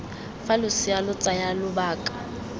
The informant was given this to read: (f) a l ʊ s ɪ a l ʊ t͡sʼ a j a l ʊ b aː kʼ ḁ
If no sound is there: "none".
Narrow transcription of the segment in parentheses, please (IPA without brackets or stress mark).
f